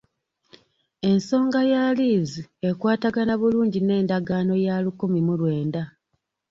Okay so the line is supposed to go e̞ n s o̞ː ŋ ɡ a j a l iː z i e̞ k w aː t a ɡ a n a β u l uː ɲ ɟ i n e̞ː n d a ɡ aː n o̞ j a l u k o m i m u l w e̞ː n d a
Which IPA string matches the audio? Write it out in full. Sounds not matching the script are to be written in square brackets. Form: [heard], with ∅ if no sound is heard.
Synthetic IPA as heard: e̞ n s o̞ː ŋ ɡ a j a l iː z i e̞ k w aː t a ɡ a n a β u l uː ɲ ɟ i n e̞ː n d a ɡ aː n o̞ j a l u k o m i m u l w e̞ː n d a